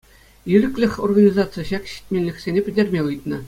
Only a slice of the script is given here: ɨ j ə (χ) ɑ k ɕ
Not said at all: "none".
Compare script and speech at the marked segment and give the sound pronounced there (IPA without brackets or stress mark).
ɕ